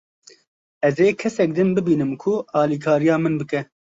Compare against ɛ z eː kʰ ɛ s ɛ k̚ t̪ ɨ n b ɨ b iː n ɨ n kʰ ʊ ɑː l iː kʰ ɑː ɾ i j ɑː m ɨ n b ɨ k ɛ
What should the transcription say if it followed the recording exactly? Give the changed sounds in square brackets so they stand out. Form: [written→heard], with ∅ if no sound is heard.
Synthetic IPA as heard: ɛ z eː kʰ ɛ s ɛ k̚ [t̪→d̪] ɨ n b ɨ b iː n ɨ [n→m] kʰ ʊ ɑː l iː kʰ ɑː ɾ i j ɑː m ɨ n b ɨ k ɛ